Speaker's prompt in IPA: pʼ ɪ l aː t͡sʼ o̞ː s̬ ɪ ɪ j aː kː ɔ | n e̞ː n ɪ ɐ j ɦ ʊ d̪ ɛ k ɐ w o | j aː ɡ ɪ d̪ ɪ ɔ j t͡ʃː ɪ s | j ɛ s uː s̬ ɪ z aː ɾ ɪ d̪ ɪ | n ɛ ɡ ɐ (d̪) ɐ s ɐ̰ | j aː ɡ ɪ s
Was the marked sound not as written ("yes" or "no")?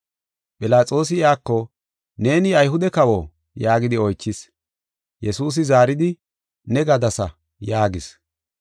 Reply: no